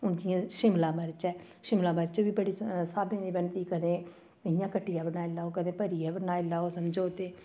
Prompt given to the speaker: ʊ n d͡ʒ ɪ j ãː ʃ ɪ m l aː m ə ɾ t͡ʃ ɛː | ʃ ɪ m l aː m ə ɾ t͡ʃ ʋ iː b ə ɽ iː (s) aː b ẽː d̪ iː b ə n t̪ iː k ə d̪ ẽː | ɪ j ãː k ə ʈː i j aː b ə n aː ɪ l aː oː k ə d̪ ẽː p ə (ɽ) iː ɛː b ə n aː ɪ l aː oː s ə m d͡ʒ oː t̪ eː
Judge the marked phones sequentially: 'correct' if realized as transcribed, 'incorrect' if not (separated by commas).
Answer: correct, incorrect